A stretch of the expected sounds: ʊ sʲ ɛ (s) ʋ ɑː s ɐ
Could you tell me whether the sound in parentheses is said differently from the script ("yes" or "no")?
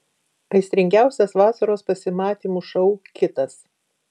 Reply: no